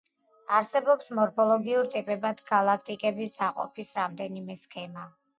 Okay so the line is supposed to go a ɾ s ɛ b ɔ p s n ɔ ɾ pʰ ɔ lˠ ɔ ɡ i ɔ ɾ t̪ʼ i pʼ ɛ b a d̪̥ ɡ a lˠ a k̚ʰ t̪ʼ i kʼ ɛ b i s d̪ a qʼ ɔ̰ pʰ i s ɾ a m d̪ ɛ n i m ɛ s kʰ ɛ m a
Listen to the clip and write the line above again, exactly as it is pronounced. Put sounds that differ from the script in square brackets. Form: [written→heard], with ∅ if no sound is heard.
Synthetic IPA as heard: a ɾ s ɛ b ɔ p s [n→m] ɔ ɾ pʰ ɔ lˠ ɔ ɡ i [ɔ→u] ɾ t̪ʼ i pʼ ɛ b a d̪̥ ɡ a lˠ a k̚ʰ t̪ʼ i kʼ ɛ b i s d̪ a qʼ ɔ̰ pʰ i s ɾ a m d̪ ɛ n i m ɛ s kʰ ɛ m a